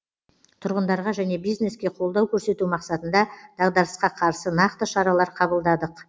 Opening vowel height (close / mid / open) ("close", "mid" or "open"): close